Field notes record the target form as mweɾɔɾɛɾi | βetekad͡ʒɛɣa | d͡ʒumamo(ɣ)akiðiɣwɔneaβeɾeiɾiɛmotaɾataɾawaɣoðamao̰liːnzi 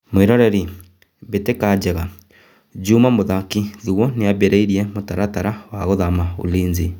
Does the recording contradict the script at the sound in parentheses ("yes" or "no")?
yes